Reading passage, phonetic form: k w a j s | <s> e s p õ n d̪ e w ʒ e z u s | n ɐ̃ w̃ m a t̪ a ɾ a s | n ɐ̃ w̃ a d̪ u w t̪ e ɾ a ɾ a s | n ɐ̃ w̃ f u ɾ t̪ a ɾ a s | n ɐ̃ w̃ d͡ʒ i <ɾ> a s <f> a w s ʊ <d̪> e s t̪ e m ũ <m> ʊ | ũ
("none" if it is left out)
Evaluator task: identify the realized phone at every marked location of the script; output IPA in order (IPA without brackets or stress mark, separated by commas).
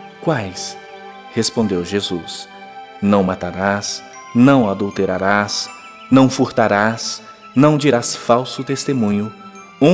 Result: h, ɾ, f, t̪, ɲ